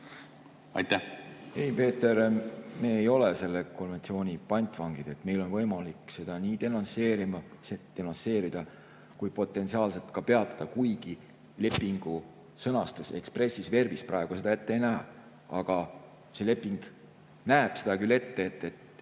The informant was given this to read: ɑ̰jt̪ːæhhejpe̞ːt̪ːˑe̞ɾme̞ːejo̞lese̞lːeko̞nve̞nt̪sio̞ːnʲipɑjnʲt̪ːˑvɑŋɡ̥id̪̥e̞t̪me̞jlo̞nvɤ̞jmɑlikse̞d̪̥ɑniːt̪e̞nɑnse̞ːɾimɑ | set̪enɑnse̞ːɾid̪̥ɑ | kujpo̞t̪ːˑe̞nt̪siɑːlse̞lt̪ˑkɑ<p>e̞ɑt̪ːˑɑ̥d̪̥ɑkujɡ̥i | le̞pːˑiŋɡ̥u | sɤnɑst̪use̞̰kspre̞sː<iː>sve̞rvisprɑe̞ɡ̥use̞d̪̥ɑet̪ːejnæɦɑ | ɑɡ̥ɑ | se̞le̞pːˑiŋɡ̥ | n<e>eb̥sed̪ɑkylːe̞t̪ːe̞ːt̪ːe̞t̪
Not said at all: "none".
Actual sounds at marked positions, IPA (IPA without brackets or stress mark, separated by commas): p, i, æ